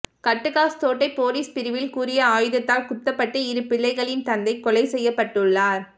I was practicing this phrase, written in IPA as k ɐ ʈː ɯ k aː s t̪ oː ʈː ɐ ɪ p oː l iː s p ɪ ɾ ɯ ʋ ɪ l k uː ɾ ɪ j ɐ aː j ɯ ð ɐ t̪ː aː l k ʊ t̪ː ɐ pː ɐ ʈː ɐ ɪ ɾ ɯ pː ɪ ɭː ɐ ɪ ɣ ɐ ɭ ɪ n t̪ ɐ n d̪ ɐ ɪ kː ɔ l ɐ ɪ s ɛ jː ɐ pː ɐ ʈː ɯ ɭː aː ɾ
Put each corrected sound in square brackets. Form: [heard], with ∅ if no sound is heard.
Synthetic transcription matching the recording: k ɐ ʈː ɯ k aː s t̪ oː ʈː ɐ ɪ p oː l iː s p ɪ ɾ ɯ ʋ ɪ l k uː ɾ ɪ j ɐ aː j ɯ ð ɐ t̪ː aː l k ʊ t̪ː ɐ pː ɐ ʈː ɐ ɪ ɾ ɯ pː ɪ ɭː ɐ ɪ ɣ ɐ ɭ ɪ n t̪ ɐ n d̪ ɐ ɪ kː ɔ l ɐ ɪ s ɛ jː ɐ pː ɐ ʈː ɯ ɭː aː ɾ